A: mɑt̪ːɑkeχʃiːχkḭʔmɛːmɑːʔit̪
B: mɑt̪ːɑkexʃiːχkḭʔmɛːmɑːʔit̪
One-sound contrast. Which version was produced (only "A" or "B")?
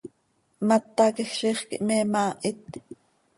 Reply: B